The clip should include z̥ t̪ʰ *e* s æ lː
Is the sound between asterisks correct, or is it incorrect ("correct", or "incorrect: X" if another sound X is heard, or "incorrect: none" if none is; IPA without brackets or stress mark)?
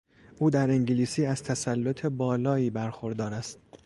incorrect: æ